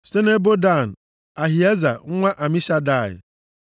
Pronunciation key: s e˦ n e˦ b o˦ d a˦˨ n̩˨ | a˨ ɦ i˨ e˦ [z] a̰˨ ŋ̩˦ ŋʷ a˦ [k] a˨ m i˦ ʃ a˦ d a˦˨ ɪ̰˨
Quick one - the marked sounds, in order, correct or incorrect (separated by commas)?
correct, incorrect